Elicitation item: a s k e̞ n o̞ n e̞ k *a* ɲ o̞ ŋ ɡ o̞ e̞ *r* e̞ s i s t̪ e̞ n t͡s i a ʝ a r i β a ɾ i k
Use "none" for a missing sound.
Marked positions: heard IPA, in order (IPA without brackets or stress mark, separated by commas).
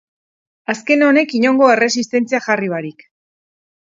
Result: i, r